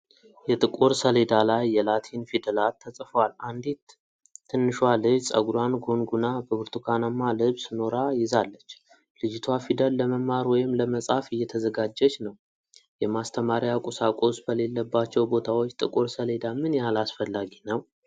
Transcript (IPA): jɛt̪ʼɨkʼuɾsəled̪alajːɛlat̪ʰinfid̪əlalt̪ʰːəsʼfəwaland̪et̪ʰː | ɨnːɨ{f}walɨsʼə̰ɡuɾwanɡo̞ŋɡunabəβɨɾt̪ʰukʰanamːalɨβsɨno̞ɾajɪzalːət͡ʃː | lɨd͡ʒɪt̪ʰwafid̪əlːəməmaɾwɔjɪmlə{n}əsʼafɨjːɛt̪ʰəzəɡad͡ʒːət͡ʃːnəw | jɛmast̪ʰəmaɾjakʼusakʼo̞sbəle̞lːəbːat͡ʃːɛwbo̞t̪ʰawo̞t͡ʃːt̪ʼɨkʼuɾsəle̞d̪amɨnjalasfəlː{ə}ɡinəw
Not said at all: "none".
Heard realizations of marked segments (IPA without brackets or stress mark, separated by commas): ʃ, m, a